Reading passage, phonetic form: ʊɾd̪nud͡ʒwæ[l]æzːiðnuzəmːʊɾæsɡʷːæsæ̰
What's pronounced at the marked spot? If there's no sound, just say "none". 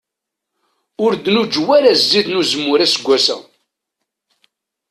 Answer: ɾ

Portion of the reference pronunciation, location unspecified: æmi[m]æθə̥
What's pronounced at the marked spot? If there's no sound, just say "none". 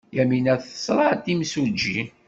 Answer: n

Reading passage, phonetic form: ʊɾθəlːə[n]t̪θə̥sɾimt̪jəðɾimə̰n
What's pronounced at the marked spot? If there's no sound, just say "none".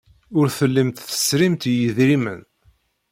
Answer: m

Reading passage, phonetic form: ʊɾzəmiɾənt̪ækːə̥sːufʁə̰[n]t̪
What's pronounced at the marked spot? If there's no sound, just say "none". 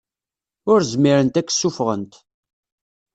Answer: n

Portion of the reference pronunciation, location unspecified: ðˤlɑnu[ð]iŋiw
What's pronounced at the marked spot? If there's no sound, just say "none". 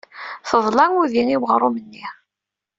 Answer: ð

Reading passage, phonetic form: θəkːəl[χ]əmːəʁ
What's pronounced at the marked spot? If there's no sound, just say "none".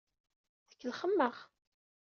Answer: χ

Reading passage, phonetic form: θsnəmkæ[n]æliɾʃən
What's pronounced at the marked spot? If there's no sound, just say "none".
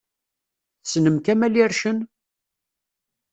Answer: m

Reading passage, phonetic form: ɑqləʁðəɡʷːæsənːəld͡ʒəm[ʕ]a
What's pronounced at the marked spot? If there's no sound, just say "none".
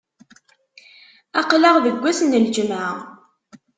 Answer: ʕ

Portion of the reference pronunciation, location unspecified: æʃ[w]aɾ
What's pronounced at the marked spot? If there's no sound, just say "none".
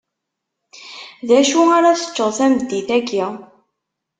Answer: u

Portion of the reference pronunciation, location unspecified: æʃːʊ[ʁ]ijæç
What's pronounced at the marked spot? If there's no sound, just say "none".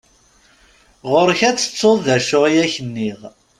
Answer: ʁ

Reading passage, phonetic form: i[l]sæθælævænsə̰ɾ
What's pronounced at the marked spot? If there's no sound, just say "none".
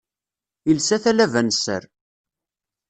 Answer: l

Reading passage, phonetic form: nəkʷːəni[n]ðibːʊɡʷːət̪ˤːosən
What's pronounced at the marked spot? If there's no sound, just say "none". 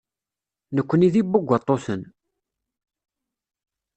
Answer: none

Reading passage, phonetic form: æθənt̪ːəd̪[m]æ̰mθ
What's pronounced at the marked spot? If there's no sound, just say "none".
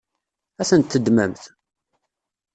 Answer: m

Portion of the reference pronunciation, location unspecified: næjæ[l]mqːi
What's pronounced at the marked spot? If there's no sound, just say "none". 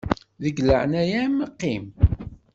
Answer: none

